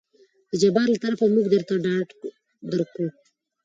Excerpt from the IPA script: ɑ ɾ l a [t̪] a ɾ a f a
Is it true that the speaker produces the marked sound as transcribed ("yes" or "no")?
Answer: yes